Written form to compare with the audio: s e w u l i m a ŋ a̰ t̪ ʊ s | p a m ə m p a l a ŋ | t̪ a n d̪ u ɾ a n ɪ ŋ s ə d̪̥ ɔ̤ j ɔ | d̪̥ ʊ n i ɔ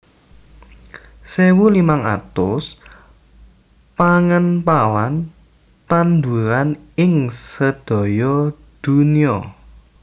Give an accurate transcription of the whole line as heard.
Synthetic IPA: s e w u l i m a ŋ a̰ t̪ ʊ s | p a ŋ ə n p a l a n | t̪ a n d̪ u ɾ a n ɪ ŋ s ə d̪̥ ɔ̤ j ɔ | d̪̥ u n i ɔ